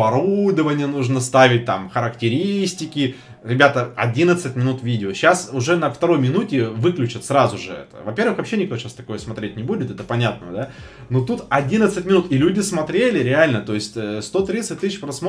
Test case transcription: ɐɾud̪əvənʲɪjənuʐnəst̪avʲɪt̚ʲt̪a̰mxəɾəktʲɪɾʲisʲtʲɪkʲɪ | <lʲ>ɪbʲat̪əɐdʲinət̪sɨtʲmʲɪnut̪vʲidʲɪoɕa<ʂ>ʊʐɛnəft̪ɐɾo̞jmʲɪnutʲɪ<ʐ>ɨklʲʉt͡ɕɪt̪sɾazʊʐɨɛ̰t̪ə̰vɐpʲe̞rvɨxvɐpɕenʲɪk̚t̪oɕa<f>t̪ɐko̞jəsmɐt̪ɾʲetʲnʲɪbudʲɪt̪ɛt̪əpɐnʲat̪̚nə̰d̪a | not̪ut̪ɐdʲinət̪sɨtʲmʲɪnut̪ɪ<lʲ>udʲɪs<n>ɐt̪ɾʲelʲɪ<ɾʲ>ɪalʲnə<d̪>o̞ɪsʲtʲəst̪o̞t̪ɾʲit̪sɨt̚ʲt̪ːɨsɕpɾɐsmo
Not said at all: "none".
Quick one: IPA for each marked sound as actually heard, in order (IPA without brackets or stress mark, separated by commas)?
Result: ɾʲ, s, v, s, lʲ, m, ɾʲ, t̪